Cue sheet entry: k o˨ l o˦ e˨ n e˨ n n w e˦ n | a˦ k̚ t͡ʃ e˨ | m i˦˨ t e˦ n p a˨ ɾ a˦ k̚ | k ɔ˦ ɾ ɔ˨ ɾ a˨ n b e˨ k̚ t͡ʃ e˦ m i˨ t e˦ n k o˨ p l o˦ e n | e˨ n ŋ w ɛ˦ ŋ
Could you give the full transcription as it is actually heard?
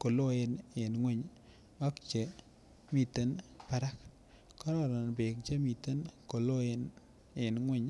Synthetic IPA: k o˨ l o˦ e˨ n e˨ n ŋ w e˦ ɲ | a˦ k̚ t͡ʃ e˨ | m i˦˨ t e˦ n p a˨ ɾ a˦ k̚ | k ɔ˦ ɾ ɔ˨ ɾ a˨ n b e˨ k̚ t͡ʃ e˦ m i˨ t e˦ n k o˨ l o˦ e n | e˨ n ŋ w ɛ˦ ɲ